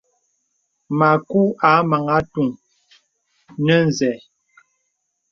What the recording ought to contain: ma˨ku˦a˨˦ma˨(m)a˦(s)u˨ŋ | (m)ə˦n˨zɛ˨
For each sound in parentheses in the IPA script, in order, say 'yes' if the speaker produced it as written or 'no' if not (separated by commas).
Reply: no, no, no